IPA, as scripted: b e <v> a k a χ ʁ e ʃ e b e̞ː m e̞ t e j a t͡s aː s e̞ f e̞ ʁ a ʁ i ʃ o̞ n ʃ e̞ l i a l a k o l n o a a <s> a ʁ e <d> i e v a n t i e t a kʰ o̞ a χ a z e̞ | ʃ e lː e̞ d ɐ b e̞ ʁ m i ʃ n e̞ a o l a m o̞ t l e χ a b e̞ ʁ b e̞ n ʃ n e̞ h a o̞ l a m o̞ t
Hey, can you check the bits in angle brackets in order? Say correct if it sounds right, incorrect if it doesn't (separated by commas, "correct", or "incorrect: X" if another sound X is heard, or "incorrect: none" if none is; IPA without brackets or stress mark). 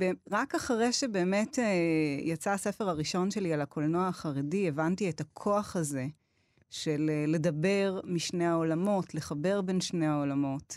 incorrect: ʁ, incorrect: χ, correct